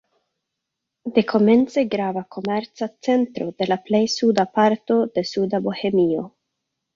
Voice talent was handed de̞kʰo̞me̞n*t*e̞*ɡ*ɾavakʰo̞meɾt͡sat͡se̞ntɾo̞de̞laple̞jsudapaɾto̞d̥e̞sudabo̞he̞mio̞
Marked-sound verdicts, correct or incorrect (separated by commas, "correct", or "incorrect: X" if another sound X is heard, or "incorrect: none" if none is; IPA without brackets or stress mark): incorrect: t͡s, correct